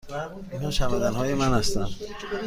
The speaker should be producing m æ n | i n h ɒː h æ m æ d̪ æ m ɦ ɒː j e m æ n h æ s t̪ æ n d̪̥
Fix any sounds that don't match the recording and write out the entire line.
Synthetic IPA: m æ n | i n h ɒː ʃ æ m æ d̪ æ n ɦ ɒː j e m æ n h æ s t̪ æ n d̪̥